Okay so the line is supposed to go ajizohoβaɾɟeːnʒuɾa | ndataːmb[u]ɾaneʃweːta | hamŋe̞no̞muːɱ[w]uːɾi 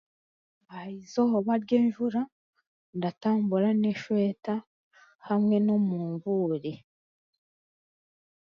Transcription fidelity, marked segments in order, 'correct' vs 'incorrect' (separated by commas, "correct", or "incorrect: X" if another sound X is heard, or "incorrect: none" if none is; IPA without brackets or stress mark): correct, incorrect: v